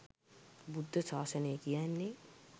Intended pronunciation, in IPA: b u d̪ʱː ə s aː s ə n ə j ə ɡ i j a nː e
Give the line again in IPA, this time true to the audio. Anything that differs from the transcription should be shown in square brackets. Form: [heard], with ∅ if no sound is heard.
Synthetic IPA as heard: b u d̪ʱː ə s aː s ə n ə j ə [k] i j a nː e